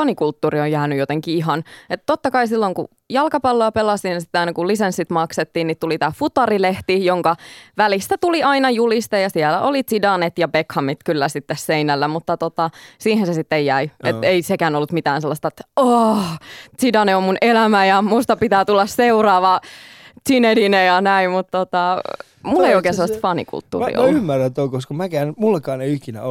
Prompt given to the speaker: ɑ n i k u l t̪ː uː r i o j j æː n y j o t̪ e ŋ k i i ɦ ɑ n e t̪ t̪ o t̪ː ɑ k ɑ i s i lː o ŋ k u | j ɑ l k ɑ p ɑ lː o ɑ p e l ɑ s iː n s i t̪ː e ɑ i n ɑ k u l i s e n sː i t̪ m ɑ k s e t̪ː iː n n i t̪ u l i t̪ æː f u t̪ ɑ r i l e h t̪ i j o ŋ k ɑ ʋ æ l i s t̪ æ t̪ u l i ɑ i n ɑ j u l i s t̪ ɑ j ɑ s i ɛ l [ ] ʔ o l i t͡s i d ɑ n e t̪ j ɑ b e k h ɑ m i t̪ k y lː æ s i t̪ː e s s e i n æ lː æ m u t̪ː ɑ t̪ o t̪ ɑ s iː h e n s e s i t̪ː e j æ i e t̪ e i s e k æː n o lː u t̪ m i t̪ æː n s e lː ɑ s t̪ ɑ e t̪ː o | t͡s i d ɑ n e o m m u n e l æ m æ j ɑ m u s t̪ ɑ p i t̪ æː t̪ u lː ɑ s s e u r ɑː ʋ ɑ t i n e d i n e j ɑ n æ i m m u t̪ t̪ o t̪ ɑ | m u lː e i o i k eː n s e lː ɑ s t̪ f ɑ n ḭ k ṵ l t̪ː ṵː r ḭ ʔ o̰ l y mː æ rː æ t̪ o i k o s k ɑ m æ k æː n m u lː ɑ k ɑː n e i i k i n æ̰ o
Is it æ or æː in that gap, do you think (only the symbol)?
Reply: æ